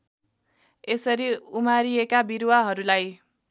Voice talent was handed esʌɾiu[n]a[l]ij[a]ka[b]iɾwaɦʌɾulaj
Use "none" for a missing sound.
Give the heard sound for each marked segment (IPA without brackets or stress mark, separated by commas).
m, ɾ, e, b